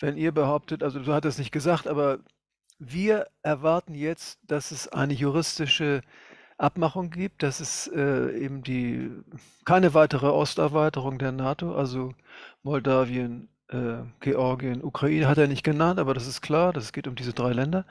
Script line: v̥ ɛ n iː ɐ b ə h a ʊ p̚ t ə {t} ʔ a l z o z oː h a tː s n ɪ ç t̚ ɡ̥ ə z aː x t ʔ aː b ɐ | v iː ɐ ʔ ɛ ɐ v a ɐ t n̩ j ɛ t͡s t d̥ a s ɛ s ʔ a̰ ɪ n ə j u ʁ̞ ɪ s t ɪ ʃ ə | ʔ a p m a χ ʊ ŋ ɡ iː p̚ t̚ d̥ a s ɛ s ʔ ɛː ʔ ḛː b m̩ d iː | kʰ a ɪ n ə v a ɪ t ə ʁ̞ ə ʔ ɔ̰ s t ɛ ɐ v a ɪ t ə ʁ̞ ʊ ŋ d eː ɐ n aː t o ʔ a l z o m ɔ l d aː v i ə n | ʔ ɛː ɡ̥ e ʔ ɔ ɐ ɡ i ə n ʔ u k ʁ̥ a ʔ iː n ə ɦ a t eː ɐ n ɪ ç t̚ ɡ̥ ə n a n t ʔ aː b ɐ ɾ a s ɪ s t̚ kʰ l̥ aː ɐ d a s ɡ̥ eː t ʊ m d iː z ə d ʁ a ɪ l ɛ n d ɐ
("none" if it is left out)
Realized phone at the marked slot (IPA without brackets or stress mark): t